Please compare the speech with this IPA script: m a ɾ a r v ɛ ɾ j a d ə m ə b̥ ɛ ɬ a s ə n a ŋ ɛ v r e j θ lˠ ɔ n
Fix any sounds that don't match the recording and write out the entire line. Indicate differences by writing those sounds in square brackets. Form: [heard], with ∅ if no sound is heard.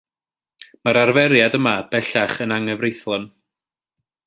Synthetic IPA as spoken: m a ɾ a r v ɛ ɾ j a d ə m [a] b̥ ɛ ɬ a [χ] ə n a ŋ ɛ v r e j θ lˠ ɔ n

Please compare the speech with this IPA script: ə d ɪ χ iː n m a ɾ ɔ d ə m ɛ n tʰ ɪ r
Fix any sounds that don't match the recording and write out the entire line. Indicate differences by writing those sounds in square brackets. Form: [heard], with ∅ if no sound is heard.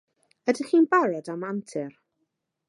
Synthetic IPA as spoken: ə d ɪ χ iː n [b] a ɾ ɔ d [a] m [a] n tʰ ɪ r

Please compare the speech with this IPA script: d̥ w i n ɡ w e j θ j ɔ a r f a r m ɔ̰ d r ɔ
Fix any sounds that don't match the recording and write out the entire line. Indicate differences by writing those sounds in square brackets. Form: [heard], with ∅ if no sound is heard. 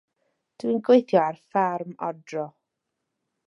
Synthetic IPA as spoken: d̥ w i n ɡ w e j θ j ɔ a r f a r m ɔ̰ d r ɔ

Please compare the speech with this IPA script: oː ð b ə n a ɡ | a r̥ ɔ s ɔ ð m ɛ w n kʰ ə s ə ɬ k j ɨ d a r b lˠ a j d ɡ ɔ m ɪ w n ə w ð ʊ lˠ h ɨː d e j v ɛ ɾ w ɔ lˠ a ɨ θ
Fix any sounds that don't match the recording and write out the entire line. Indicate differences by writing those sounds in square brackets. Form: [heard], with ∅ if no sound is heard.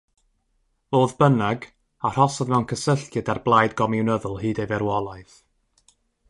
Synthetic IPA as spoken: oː ð b ə n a ɡ | a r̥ ɔ s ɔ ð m ɛ w n kʰ ə s ə ɬ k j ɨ d a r b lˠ a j d ɡ ɔ m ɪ w n ə [∅] ð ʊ lˠ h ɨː d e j v ɛ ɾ w ɔ lˠ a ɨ θ

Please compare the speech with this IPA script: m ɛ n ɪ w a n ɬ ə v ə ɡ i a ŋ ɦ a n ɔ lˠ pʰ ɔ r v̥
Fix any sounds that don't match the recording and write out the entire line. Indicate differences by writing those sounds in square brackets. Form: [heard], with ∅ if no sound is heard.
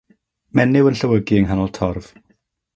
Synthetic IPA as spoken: m ɛ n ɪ w [ə] n ɬ ə [w] ə ɡ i [ə] ŋ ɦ a n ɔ lˠ [tʰ] ɔ r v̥

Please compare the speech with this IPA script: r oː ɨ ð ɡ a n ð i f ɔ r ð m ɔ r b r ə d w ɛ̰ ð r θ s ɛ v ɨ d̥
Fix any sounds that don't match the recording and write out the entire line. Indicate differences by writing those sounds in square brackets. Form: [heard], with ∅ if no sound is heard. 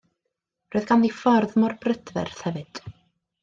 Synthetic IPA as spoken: r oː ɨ ð ɡ a n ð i f ɔ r ð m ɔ r b r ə d [v] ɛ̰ [∅] r θ [h] ɛ v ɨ d̥

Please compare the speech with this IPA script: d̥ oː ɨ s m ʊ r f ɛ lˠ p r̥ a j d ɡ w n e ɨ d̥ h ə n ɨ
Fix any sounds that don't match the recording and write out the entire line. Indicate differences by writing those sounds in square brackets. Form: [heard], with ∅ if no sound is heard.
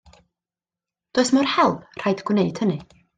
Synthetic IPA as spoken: d̥ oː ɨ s m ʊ r [h] ɛ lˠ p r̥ a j d ɡ w n e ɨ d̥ h ə n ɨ

